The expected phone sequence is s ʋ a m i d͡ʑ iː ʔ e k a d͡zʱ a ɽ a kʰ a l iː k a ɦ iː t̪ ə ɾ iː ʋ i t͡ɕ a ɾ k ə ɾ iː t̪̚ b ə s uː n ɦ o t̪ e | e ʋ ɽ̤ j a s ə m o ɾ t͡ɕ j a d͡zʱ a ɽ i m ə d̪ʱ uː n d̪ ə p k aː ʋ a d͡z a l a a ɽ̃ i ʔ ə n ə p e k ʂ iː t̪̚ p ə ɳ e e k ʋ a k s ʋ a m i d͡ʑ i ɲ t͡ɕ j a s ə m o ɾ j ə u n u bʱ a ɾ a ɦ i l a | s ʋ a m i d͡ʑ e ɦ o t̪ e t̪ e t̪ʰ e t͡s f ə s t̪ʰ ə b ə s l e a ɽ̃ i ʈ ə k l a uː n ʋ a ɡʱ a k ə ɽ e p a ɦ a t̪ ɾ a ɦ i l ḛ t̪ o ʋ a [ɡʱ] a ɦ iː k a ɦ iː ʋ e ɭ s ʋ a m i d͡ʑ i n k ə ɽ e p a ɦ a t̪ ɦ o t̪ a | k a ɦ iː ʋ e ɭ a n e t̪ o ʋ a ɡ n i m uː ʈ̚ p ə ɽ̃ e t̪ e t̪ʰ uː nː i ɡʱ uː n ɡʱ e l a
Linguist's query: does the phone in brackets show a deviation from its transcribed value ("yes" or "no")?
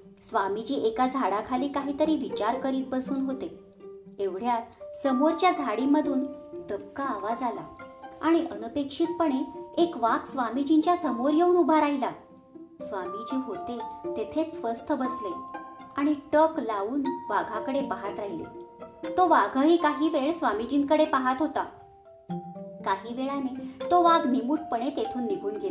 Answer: no